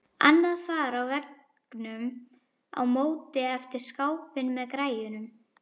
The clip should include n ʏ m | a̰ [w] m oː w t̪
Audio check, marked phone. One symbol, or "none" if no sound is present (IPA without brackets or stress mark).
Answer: w